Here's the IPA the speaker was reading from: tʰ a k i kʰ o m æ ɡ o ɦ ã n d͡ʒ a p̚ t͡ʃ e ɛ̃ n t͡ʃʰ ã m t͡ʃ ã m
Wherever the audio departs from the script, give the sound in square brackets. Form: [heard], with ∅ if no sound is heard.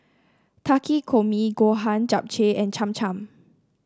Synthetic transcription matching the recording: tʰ a k i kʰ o m [i] ɡ o ɦ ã n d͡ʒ a p̚ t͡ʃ e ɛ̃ n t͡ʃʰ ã m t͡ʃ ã m